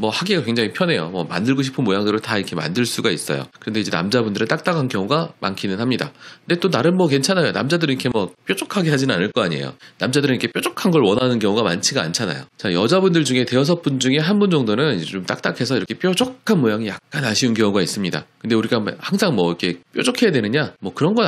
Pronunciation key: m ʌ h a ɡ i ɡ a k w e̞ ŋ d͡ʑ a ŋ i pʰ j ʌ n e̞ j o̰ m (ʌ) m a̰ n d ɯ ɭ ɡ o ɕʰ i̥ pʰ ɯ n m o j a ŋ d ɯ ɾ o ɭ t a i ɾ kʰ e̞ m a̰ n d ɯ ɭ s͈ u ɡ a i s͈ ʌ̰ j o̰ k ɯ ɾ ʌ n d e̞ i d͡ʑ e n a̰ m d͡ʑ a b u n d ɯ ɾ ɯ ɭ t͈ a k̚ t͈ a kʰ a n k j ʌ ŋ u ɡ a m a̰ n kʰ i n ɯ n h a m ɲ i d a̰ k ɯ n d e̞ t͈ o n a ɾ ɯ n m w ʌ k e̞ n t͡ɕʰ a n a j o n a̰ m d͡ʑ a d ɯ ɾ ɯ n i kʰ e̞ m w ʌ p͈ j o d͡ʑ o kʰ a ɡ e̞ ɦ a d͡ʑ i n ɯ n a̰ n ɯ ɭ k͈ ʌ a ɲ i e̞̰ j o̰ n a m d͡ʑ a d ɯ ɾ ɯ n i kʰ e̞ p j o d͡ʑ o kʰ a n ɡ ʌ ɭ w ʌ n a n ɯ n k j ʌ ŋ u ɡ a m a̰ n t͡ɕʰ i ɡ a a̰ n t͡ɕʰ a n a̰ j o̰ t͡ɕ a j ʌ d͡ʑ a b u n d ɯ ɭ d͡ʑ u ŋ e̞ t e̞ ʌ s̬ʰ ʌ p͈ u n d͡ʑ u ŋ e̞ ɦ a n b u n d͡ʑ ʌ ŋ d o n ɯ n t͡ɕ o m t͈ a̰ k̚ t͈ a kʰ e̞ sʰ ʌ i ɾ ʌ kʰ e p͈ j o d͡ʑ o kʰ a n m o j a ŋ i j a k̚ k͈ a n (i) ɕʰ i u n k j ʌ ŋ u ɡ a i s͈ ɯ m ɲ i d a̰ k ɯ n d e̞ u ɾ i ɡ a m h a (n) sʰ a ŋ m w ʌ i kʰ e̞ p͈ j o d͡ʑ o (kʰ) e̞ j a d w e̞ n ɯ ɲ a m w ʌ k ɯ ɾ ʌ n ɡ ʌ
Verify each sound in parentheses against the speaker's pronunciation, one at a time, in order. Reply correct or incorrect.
correct, incorrect, incorrect, correct

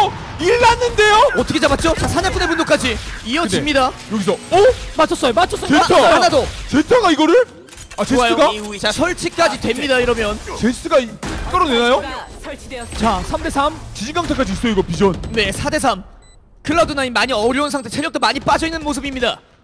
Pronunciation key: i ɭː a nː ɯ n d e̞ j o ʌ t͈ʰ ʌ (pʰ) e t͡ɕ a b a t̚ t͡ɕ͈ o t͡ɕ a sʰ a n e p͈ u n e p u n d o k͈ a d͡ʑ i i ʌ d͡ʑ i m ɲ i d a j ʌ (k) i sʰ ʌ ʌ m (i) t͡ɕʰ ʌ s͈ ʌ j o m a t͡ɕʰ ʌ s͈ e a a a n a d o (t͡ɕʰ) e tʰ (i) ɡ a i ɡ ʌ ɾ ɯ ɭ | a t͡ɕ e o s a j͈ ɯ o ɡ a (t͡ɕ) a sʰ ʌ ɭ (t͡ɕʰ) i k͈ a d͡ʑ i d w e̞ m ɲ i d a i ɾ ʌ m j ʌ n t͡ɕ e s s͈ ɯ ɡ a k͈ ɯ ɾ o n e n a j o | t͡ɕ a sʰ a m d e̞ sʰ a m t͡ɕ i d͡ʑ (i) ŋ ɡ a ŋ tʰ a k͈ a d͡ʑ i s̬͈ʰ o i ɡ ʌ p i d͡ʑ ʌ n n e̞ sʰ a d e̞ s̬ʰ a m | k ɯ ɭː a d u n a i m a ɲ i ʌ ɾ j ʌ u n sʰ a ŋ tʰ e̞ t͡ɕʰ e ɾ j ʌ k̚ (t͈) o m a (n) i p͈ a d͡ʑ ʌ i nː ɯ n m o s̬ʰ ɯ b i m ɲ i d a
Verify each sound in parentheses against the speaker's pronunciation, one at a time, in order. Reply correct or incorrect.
incorrect, incorrect, incorrect, incorrect, incorrect, correct, correct, correct, correct, incorrect

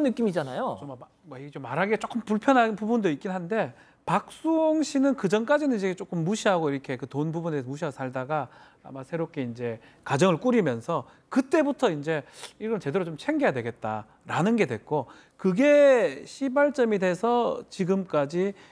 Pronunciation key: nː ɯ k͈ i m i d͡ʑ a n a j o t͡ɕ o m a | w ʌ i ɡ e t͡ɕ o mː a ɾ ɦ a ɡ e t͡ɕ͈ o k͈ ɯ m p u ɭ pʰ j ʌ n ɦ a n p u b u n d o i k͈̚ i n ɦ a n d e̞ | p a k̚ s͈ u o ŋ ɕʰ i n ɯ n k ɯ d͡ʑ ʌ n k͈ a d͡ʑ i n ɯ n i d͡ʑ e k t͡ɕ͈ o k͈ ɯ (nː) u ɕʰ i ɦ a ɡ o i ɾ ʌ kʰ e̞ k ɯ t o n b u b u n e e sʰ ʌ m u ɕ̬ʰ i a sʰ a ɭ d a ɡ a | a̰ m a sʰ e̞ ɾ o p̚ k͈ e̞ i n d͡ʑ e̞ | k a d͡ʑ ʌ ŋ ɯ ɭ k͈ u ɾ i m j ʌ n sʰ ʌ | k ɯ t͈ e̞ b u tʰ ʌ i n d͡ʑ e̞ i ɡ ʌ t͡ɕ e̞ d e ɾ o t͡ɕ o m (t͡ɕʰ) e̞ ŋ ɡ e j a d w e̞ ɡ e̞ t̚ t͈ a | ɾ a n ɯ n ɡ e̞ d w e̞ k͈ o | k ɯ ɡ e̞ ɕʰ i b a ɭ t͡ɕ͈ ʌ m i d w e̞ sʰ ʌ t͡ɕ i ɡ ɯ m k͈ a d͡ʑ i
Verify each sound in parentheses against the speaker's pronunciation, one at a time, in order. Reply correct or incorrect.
incorrect, correct

